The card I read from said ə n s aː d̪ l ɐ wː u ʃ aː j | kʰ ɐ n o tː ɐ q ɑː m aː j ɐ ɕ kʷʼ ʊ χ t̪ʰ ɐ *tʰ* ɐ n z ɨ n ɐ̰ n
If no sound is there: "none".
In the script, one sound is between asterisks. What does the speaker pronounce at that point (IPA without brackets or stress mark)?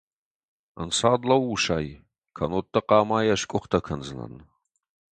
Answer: kʰ